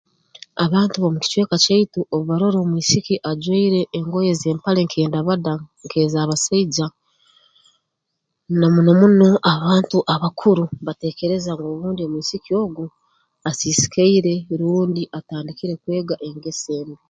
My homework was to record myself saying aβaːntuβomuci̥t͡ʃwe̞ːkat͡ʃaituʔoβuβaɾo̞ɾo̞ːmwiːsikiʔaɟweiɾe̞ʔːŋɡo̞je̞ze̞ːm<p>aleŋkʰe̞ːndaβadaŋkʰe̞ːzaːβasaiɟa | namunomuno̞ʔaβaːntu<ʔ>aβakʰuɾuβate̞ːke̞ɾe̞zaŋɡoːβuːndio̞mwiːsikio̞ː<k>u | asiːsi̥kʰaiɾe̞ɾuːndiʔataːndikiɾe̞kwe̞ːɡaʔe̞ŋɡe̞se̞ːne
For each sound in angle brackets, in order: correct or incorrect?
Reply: correct, correct, incorrect: ɡ

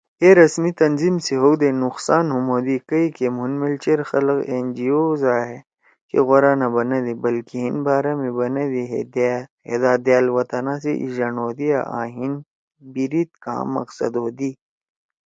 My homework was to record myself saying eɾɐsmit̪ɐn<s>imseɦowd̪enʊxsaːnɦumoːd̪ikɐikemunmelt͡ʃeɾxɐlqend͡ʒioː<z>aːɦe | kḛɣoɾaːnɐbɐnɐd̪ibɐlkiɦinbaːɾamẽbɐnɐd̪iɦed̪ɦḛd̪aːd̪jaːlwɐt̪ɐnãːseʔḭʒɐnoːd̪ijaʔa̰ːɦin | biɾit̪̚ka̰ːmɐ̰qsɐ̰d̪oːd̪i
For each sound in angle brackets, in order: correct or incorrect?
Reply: incorrect: z, correct

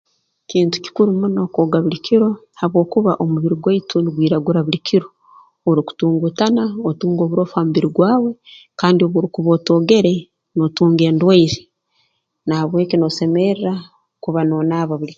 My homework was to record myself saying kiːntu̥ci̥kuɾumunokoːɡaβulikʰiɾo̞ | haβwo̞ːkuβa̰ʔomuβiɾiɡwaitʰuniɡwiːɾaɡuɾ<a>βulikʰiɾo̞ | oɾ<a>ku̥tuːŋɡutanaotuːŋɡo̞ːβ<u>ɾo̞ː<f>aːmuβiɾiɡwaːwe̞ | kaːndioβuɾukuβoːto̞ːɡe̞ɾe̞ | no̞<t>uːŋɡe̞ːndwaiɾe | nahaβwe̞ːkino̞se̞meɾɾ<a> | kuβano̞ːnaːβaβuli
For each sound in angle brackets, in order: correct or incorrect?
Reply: correct, incorrect: i, correct, correct, correct, correct

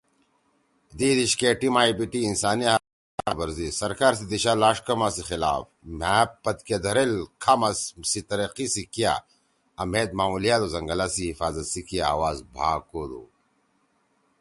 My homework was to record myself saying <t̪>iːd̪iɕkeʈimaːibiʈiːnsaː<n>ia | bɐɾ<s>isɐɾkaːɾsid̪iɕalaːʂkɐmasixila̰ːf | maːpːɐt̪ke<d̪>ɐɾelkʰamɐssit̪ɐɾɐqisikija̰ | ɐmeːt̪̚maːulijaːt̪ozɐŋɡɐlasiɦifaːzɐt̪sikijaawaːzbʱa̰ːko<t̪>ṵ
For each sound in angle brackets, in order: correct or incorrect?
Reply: incorrect: d̪, correct, incorrect: z, correct, incorrect: d̪

